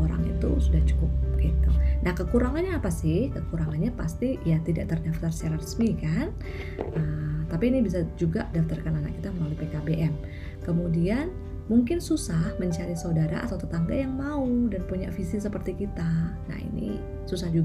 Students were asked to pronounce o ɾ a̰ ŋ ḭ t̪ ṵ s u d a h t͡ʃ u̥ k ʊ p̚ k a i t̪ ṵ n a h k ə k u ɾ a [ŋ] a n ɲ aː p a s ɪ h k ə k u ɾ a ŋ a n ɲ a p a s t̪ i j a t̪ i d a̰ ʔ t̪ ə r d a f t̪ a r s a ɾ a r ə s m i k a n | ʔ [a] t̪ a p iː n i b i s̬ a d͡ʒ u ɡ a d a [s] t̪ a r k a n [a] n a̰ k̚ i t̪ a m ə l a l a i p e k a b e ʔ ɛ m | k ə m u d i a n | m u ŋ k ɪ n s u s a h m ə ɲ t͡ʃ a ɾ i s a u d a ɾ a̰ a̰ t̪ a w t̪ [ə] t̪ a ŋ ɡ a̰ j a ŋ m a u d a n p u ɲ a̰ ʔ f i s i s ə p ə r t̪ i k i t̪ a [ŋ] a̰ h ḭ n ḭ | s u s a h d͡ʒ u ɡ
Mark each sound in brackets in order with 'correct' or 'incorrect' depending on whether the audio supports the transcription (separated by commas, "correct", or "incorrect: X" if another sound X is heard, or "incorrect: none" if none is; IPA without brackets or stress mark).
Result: correct, incorrect: ə, incorrect: f, correct, correct, incorrect: n